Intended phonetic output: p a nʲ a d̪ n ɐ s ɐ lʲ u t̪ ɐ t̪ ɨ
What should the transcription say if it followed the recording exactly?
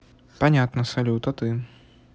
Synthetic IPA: p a nʲ a t̪ n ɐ s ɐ lʲ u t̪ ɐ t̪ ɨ